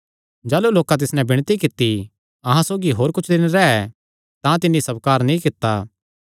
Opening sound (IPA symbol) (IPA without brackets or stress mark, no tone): d͡ʒ